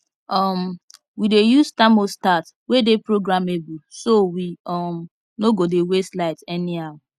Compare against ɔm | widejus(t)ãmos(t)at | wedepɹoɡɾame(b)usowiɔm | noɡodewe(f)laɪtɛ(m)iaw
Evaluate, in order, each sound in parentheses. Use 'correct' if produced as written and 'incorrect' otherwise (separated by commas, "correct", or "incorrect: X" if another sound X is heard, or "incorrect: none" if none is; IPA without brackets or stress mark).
correct, correct, correct, incorrect: s, incorrect: n